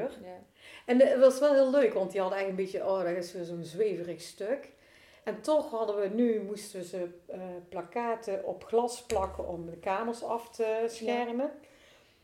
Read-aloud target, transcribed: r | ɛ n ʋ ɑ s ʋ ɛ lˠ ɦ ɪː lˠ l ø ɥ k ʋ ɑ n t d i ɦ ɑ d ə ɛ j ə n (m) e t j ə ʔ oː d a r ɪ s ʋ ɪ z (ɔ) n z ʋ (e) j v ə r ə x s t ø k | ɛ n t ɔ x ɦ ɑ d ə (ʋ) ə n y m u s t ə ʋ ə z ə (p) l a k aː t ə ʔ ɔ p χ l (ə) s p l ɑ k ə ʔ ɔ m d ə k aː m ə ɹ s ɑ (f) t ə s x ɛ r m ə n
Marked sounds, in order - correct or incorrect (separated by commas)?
incorrect, incorrect, correct, correct, correct, incorrect, correct